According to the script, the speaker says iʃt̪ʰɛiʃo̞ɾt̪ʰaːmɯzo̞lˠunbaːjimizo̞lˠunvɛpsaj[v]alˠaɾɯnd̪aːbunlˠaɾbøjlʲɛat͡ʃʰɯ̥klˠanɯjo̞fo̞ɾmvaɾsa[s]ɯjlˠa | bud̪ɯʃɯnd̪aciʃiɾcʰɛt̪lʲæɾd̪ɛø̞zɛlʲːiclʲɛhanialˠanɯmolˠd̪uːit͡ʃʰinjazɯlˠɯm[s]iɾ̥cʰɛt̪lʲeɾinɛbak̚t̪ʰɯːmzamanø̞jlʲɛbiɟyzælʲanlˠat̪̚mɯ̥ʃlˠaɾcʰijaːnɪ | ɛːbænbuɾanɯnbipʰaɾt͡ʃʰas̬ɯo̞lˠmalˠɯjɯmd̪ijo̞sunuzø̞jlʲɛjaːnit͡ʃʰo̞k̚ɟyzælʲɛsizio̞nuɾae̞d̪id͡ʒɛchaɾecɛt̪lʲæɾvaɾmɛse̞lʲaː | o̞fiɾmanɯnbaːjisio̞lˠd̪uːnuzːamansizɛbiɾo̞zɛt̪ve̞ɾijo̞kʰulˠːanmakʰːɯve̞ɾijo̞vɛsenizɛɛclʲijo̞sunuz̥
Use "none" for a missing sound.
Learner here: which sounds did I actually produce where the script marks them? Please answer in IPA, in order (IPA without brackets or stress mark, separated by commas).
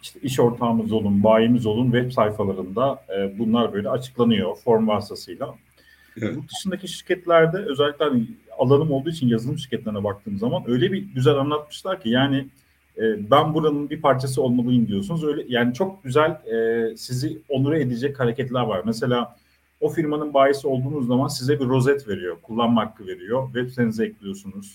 f, s, ʃ